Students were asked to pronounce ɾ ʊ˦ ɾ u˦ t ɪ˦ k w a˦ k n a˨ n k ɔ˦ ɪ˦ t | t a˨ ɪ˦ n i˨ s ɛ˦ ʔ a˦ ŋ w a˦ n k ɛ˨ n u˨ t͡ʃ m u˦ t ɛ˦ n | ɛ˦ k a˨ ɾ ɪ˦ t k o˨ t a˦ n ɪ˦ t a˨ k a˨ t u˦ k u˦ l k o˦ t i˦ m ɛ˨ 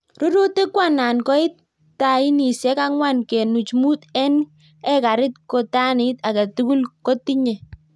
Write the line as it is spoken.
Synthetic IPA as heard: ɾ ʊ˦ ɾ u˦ t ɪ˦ k w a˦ n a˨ n k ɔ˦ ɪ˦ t | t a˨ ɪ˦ n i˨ s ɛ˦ k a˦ ŋ w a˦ n k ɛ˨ n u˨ t͡ʃ m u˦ t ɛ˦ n | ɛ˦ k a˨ ɾ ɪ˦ t k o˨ t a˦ n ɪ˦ t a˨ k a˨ t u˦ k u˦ l k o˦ t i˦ ɲ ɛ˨

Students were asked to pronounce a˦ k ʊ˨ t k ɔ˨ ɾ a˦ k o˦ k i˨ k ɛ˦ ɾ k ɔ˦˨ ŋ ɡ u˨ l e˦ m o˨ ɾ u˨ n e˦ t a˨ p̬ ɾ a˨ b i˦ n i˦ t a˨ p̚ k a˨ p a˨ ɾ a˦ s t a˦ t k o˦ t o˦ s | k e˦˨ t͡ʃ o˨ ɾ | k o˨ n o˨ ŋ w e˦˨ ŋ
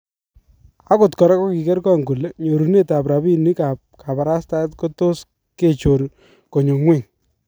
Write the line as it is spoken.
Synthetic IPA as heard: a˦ k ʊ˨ t k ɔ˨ ɾ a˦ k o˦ k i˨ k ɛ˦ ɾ k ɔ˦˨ ŋ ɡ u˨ l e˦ ɲ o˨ ɾ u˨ n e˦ t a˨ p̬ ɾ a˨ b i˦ n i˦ k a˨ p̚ k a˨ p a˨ ɾ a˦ s t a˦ t k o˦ t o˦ s | k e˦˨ t͡ʃ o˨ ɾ | k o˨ ɲ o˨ ŋ w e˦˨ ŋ

